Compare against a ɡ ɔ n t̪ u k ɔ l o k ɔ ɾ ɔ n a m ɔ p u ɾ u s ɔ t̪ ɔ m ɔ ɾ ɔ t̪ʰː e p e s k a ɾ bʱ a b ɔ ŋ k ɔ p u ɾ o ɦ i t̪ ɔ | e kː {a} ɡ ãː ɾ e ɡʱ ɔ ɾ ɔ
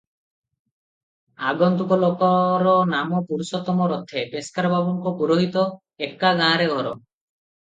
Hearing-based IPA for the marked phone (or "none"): a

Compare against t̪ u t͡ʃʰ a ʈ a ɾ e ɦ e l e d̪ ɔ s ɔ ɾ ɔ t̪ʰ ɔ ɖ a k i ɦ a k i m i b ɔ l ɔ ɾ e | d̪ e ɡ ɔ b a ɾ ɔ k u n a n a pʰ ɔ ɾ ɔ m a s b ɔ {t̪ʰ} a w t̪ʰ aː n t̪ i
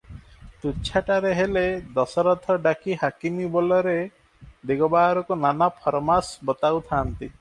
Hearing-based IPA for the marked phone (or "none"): t̪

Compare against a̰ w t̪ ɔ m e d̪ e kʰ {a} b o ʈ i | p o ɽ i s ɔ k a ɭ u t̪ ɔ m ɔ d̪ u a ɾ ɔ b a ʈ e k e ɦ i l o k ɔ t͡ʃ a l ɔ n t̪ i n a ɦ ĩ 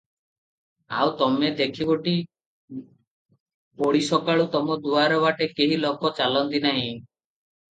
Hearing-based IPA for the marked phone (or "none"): i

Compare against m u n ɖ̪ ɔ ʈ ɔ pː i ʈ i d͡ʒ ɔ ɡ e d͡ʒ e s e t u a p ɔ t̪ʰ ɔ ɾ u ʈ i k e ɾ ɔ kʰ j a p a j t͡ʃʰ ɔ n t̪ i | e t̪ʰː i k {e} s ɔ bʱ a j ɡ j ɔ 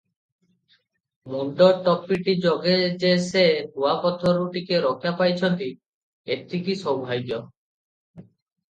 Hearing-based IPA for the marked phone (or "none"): i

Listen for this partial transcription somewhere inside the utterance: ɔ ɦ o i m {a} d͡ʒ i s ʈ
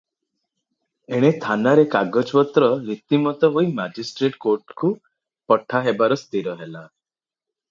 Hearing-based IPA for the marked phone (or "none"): a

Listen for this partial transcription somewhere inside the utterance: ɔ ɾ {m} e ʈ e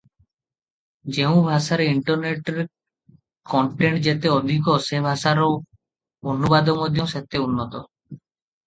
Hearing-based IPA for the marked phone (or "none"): n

